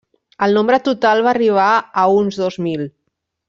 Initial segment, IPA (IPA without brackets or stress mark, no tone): ə